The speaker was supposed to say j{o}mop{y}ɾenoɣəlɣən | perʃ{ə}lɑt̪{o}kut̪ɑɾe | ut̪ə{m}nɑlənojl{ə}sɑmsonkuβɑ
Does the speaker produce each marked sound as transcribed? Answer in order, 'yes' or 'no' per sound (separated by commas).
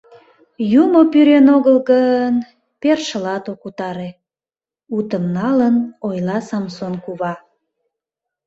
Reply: no, yes, yes, yes, yes, no